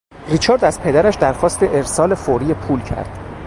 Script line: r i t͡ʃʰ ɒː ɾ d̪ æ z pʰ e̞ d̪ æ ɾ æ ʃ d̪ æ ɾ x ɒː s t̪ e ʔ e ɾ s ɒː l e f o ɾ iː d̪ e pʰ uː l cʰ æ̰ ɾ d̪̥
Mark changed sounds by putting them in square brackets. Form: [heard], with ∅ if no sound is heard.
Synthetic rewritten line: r i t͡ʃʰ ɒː ɾ d̪ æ z pʰ e̞ d̪ æ ɾ æ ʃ d̪ æ ɾ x ɒː s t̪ e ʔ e ɾ s ɒː l e f o ɾ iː [∅] e pʰ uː l cʰ æ̰ ɾ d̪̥